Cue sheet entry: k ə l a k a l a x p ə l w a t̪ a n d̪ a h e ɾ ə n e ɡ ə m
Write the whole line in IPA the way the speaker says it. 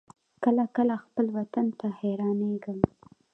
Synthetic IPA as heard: k ə l a k ə l a x p ə l w a t̪ a n t̪ a h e ɾ ɑ n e ɡ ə m